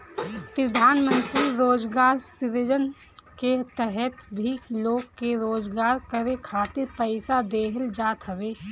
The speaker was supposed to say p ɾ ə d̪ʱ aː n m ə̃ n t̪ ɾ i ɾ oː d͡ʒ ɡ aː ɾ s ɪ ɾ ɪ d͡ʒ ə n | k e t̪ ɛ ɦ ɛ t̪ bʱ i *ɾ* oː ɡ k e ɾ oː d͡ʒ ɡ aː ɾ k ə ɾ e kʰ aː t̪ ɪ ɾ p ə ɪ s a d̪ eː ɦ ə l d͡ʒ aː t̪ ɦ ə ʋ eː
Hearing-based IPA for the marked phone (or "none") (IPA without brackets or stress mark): l